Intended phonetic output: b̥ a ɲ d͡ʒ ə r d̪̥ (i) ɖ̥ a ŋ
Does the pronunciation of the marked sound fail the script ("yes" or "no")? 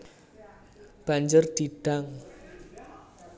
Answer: no